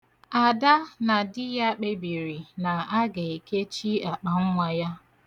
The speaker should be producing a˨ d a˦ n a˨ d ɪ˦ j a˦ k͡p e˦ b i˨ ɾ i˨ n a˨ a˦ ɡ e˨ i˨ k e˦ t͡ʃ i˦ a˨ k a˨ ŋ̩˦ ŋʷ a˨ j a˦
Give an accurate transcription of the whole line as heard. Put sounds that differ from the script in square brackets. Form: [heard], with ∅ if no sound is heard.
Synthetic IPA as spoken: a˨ d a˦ n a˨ d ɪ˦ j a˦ k͡p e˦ b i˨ ɾ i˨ n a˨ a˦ ɡ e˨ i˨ k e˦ t͡ʃ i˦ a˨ [k͡p] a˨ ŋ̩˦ ŋʷ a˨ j a˦